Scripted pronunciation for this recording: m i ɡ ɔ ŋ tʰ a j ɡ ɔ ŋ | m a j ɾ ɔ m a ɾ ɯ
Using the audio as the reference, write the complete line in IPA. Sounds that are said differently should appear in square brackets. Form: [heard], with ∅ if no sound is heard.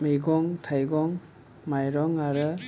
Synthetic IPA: m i ɡ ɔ ŋ tʰ a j ɡ ɔ ŋ | m a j ɾ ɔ [ŋ] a ɾ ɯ